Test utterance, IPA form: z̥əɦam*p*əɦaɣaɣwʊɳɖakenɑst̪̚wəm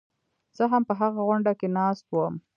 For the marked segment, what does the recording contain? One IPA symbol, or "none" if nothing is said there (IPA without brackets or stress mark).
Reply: p